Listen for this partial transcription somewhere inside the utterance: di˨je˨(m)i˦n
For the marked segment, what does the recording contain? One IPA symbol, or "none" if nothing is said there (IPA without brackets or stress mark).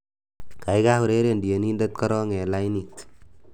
n